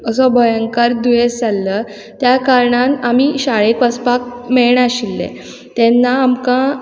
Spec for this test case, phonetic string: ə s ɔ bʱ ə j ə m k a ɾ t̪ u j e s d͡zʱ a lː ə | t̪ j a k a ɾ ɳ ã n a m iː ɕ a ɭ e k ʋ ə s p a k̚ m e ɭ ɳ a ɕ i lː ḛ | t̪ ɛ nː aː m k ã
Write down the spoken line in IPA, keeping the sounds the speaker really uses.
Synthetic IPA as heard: ə s ɔ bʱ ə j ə ŋ k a ɾ d̪ u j e s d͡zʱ a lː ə | t̪ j a k a ɾ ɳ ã n a m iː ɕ a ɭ e k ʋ ə s p a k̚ m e ɭ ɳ a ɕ i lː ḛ | t̪ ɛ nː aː m k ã